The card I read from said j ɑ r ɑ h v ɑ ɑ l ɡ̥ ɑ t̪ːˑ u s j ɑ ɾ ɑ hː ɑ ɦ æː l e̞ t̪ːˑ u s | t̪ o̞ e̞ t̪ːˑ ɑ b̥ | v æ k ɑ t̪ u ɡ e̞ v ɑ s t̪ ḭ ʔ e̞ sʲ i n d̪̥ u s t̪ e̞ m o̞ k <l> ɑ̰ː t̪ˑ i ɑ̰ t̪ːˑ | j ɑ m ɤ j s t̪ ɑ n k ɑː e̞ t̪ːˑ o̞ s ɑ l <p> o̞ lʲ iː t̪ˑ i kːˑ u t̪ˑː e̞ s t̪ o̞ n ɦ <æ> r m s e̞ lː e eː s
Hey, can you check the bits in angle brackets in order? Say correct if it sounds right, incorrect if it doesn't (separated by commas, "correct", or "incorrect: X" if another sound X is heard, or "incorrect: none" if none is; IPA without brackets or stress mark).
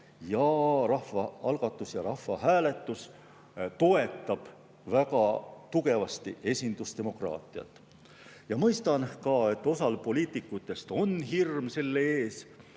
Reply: incorrect: r, correct, incorrect: i